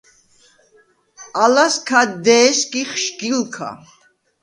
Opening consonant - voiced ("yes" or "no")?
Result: yes